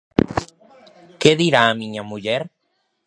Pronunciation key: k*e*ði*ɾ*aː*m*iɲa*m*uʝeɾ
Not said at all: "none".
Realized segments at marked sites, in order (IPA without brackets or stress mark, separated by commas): e, ɾ, m, m